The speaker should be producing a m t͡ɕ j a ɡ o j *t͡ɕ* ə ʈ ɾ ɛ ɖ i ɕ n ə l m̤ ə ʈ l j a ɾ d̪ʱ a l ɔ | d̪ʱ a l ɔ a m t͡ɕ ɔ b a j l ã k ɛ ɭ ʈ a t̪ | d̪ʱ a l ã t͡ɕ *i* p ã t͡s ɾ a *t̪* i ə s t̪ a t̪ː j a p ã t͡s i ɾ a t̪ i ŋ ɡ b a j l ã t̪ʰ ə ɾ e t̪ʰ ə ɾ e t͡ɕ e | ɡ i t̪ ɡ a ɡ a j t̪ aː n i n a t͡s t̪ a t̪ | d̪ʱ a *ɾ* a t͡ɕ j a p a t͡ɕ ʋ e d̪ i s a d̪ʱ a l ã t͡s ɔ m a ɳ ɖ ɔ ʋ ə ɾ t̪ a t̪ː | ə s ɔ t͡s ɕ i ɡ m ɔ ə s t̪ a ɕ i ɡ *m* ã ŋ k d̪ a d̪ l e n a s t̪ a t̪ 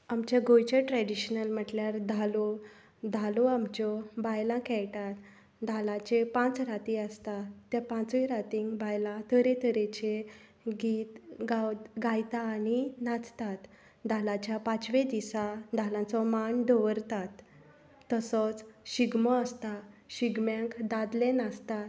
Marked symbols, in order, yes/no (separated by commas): yes, no, yes, no, yes